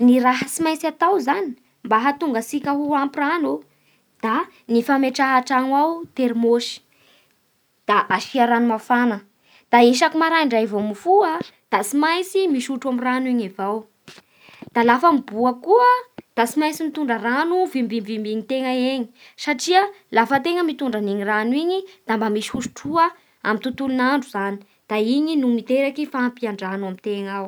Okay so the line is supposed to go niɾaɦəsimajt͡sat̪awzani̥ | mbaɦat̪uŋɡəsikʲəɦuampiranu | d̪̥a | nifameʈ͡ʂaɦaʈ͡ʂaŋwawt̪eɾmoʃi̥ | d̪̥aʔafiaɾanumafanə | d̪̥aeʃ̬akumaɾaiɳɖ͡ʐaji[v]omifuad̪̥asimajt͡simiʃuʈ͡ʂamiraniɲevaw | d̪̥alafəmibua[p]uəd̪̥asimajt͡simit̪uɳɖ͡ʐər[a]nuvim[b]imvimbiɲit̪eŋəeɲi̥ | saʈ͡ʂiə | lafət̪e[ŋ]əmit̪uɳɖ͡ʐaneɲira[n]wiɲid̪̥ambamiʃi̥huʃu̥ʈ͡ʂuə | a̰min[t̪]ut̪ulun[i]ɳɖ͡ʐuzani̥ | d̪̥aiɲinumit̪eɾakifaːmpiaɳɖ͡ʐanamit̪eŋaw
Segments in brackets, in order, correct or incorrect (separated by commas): correct, incorrect, correct, correct, correct, correct, correct, incorrect